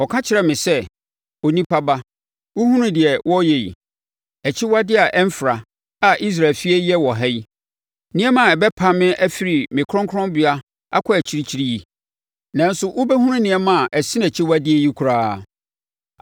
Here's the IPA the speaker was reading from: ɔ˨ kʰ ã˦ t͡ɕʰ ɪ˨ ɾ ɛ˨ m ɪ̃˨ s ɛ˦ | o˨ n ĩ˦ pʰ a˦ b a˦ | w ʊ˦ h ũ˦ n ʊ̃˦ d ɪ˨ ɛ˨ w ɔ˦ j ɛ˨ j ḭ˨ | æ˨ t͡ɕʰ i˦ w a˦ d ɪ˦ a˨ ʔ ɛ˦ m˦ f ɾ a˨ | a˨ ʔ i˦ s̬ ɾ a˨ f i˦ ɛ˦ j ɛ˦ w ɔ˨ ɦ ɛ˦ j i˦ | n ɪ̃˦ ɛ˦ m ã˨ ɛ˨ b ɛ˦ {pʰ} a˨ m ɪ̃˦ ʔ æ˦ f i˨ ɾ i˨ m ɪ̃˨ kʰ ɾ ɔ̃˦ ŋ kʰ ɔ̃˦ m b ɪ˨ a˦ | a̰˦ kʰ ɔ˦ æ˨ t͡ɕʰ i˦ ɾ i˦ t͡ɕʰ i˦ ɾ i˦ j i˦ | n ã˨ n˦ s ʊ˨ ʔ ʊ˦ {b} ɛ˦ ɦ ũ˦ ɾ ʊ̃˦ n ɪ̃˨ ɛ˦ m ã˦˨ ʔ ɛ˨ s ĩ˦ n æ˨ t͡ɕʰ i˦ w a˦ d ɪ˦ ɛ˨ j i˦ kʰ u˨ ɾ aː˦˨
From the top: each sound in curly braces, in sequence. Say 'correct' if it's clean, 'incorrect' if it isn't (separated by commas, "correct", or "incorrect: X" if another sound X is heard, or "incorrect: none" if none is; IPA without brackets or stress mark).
correct, correct